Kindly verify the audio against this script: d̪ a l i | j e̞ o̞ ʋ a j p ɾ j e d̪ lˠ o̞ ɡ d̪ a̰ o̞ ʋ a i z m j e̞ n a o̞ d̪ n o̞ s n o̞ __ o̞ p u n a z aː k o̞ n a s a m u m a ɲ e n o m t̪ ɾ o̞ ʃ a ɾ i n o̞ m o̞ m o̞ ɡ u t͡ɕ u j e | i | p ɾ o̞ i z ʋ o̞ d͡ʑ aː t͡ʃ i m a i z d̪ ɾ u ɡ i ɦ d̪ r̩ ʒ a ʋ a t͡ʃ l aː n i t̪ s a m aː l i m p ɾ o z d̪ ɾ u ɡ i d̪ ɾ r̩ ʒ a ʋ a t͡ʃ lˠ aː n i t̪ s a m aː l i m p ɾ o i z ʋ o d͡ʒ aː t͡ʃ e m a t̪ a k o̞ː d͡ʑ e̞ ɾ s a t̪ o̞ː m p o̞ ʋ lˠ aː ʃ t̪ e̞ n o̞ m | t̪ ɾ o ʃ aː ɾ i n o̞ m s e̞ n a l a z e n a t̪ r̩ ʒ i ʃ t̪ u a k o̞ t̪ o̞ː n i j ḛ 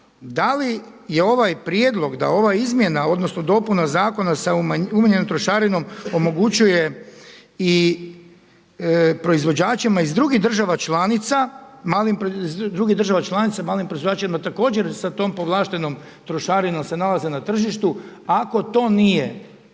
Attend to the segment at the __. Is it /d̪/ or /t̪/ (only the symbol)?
d̪